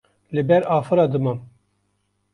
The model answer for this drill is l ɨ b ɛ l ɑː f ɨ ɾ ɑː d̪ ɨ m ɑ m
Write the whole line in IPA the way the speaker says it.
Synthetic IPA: l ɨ b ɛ ɾ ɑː f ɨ ɾ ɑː d̪ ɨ m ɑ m